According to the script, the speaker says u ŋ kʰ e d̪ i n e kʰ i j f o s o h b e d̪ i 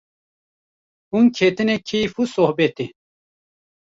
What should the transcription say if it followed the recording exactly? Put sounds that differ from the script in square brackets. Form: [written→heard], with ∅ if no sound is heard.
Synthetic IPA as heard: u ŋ kʰ e [d̪→t̪] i n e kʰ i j f [o→u] s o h b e [d̪→t̪] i